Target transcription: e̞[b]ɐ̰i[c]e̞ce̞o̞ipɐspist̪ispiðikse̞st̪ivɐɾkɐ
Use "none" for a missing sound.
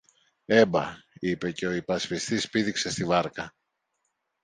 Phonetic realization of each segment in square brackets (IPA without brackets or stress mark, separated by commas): b, p